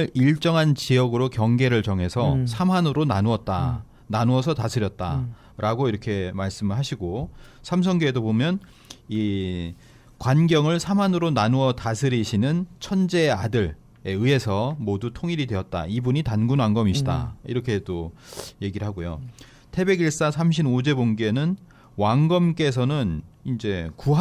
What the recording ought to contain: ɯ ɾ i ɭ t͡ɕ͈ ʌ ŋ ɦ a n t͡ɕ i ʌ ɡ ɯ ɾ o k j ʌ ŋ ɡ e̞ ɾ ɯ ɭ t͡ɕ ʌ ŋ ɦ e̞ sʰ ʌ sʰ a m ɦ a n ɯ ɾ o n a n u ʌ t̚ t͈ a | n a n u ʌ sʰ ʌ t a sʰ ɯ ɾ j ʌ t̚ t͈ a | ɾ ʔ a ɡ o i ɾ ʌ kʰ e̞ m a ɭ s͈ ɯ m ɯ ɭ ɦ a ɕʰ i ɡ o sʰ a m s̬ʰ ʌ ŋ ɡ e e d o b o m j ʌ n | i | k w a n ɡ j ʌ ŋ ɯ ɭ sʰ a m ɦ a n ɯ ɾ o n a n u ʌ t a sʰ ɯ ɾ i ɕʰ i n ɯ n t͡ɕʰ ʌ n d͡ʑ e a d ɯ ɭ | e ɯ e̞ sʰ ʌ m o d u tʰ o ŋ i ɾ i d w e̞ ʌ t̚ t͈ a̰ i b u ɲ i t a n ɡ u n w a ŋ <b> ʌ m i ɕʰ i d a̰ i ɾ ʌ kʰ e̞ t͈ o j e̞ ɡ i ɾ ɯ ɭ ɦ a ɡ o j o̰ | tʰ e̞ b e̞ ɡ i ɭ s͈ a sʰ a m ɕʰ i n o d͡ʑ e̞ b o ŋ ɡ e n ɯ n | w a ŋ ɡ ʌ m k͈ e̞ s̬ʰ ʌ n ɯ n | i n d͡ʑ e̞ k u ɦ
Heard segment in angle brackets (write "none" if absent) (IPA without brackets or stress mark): ɡ